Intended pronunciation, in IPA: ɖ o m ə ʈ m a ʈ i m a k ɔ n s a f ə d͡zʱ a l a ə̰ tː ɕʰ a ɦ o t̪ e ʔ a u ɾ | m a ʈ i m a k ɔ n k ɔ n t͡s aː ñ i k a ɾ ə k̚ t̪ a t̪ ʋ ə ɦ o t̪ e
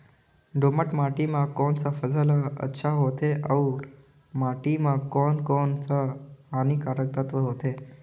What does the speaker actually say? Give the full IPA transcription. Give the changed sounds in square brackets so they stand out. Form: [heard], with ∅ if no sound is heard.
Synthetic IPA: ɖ o m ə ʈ m a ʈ i m a k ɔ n [t͡s] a f ə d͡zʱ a l a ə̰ tː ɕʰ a ɦ o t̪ e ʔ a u ɾ | m a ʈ i m a k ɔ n k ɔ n t͡s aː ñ i k a ɾ ə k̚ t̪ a t̪ ʋ ə ɦ o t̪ e